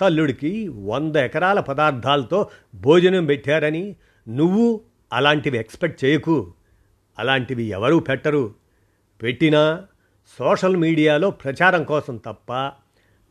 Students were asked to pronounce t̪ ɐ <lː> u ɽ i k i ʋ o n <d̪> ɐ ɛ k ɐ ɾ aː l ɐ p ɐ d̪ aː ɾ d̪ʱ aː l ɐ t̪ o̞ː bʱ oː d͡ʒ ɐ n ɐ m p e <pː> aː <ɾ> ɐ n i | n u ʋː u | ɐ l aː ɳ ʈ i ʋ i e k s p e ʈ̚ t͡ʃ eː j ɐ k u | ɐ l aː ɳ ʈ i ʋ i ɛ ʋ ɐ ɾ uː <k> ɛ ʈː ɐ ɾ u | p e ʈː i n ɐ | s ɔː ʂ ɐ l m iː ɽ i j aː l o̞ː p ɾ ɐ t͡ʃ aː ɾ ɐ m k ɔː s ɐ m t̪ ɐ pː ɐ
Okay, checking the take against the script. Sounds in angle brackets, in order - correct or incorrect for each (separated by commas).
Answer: correct, correct, incorrect, correct, incorrect